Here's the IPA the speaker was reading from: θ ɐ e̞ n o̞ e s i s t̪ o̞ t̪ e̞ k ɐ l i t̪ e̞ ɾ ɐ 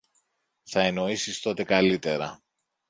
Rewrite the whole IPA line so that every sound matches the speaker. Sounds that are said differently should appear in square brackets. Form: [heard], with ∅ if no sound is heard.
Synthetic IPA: θ ɐ e̞ n o̞ [i] s i s t̪ o̞ t̪ e̞ k ɐ l i t̪ e̞ ɾ ɐ